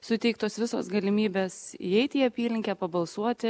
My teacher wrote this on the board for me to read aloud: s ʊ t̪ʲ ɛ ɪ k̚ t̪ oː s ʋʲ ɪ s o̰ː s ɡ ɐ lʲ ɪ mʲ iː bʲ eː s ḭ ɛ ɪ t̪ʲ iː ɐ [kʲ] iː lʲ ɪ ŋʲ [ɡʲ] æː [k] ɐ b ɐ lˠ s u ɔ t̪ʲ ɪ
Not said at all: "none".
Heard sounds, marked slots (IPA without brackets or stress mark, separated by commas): pʲ, kʲ, p